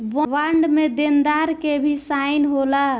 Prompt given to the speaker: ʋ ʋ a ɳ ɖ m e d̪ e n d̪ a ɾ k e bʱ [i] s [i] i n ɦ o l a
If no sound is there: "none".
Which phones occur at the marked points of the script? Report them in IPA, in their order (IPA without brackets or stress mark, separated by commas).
i, a